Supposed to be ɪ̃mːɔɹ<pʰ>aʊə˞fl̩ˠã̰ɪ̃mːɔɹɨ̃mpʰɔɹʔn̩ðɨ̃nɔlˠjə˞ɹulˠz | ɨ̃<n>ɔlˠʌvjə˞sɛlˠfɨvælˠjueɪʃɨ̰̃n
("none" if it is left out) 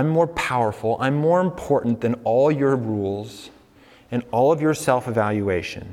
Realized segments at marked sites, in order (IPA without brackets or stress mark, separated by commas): pʰ, n